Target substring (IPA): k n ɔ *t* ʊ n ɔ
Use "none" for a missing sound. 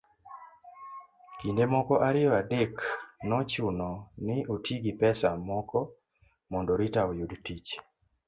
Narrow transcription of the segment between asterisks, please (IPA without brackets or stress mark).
t͡ʃ